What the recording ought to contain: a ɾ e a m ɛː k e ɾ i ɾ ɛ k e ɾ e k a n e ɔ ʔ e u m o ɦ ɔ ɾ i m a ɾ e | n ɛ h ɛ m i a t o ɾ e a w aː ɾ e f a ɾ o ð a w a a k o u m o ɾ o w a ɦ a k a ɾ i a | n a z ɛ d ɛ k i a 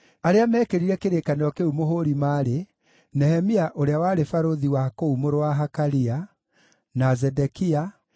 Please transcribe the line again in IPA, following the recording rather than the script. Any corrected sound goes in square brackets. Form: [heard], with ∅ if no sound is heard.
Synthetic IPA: a ɾ e a m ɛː k e ɾ i ɾ ɛ k e ɾ e k a n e ɔ [k] e u m o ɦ [o] ɾ i m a ɾ e | n ɛ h ɛ m i a [ʔ] o ɾ e a w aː ɾ e f a ɾ o ð [i] w a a k o u m o ɾ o w a ɦ a k a ɾ i a | n a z ɛ d ɛ k i a